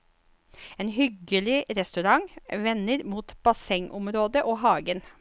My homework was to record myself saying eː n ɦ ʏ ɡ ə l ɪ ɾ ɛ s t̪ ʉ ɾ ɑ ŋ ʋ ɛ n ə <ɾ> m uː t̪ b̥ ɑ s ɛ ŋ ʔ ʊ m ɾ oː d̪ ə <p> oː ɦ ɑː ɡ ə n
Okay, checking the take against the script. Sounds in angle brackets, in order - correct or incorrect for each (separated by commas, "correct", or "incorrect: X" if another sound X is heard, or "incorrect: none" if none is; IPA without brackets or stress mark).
correct, incorrect: ʔ